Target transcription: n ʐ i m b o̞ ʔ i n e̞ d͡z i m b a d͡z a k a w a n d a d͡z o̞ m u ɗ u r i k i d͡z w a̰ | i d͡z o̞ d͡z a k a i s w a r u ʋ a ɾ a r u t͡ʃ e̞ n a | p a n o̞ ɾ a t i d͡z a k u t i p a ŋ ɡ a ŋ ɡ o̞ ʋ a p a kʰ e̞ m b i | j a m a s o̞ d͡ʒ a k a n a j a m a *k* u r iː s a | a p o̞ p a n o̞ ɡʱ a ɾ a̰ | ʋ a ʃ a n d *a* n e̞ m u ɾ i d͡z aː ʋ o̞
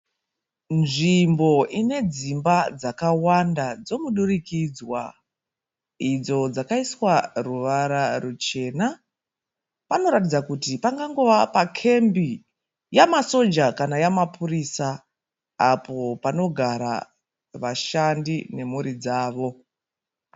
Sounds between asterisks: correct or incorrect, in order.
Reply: incorrect: p, incorrect: i

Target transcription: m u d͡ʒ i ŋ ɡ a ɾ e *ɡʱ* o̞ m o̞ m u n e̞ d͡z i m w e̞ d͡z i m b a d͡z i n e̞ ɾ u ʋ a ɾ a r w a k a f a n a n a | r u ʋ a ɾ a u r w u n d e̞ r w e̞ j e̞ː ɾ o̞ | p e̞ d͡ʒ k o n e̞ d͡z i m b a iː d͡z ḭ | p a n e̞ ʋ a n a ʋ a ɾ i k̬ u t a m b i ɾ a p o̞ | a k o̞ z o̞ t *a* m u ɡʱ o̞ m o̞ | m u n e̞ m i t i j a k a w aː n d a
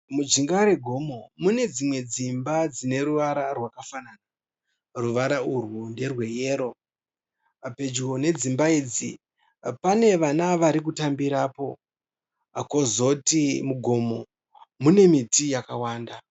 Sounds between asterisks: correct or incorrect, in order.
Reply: correct, incorrect: i

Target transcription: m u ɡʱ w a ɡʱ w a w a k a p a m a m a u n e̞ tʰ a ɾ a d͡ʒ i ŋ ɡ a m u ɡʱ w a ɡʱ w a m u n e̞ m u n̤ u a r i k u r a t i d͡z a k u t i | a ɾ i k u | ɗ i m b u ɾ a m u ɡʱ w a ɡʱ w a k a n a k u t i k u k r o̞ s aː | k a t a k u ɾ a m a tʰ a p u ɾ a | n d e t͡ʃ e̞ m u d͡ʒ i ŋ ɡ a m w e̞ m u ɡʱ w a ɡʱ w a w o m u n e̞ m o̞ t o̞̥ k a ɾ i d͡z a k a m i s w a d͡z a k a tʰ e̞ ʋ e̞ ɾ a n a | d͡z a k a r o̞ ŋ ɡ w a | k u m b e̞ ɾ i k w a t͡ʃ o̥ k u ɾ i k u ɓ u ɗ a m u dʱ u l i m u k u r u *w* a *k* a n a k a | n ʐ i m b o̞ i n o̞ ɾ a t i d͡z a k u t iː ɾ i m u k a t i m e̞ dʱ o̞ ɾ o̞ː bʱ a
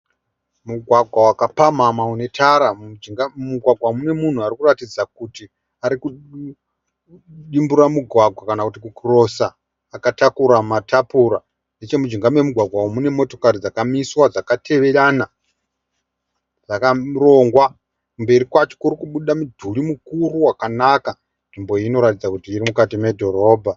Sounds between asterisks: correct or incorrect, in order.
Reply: correct, correct

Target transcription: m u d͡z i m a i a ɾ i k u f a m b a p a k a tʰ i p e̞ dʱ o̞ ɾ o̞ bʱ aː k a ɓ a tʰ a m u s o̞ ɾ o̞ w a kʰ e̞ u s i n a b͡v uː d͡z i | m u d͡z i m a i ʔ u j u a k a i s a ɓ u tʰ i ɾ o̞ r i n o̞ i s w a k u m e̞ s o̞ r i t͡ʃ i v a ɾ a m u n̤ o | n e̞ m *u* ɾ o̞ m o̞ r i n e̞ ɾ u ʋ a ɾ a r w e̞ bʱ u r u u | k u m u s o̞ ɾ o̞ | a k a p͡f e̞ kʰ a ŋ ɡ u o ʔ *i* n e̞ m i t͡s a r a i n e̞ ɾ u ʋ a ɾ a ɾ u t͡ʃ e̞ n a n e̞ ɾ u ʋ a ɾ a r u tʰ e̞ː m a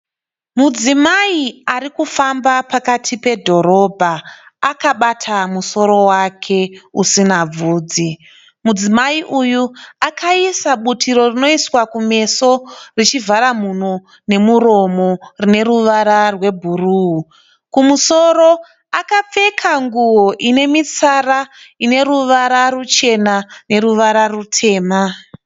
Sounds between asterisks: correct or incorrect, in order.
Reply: correct, correct

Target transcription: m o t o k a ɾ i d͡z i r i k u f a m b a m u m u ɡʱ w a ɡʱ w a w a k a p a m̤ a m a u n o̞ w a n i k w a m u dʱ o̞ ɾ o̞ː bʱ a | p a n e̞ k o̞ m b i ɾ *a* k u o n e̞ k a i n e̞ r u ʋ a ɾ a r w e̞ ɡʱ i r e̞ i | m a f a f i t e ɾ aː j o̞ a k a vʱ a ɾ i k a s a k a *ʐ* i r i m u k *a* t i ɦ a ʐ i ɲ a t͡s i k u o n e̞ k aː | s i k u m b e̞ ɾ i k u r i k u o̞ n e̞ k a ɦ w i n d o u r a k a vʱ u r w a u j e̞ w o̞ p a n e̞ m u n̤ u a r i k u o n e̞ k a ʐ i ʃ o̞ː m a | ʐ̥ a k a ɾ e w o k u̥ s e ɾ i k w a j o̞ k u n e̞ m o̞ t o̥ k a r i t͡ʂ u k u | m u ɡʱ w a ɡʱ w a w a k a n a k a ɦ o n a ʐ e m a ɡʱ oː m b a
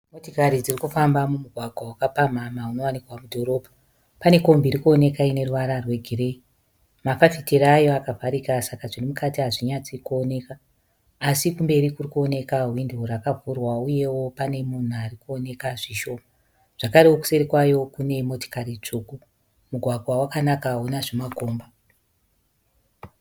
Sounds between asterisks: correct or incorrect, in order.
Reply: incorrect: i, correct, correct

